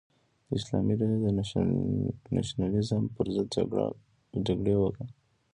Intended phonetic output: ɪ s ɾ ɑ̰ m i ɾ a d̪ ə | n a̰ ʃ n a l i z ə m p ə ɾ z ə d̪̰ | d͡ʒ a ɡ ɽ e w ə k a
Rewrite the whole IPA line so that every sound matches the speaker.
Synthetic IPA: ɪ s l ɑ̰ m i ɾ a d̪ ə | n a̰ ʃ n a l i z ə m p ə ɾ z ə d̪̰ | d͡ʒ a ɡ ɽ e w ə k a